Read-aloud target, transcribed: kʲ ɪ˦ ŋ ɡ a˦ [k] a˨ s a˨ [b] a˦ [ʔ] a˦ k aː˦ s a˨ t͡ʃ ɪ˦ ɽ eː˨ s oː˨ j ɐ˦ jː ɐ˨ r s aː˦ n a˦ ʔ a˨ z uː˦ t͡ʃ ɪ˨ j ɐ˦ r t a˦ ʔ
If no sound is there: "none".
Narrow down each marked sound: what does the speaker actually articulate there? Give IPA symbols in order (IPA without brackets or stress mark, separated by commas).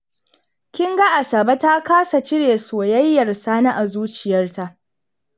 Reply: ʔ, b, t